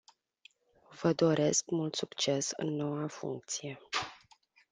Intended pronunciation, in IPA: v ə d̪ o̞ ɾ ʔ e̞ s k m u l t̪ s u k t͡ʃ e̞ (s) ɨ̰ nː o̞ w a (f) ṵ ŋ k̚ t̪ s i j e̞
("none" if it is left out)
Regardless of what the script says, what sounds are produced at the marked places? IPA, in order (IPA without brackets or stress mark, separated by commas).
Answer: s, f